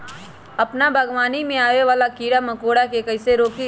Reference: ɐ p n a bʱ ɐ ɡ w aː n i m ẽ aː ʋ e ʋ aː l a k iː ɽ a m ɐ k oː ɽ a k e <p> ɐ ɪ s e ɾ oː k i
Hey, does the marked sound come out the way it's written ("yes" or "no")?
no